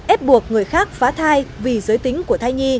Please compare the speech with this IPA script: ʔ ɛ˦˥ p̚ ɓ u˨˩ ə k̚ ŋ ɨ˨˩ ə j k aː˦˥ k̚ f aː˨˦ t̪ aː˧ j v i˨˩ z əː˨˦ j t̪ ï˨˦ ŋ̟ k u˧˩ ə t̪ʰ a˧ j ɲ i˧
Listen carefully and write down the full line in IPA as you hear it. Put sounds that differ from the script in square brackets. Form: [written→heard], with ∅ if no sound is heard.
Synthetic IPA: ʔ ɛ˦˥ p̚ ɓ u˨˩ ə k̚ ŋ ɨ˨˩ ə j [k→x] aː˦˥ k̚ f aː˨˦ [t̪→t̪ʰ] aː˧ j v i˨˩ z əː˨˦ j t̪ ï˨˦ ŋ̟ k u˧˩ ə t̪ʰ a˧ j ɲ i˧